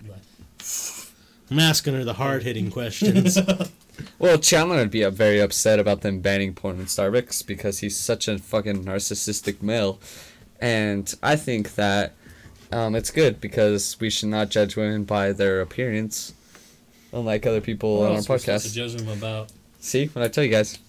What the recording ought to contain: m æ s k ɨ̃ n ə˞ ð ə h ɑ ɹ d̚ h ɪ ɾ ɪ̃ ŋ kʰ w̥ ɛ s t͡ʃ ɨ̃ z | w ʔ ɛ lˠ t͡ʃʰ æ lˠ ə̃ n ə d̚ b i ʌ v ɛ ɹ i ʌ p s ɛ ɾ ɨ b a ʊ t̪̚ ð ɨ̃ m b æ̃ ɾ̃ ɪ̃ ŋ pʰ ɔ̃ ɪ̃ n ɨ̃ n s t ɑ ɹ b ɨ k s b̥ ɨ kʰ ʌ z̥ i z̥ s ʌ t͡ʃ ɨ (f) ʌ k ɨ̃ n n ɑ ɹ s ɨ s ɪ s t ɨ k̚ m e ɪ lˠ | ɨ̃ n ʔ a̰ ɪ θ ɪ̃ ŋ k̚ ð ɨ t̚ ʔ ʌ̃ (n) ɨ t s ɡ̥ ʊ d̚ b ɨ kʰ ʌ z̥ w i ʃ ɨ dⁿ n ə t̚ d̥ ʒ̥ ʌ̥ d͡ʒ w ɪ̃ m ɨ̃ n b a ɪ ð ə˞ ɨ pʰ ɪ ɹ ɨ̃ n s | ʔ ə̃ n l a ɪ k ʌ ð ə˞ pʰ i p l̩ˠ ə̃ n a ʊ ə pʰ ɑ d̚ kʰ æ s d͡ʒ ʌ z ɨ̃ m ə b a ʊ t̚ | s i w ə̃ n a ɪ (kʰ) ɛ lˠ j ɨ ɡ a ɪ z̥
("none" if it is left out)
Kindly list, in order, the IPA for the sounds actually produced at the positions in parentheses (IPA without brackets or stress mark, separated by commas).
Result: f, m, tʰ